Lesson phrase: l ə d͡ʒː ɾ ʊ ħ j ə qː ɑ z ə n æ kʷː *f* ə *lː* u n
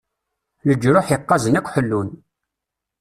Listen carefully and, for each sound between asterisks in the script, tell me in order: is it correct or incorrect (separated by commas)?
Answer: incorrect, correct